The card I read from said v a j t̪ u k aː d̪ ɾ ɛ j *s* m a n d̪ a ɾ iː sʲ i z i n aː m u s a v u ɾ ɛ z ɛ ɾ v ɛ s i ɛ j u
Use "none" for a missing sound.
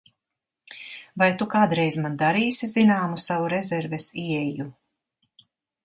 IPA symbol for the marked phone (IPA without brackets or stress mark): z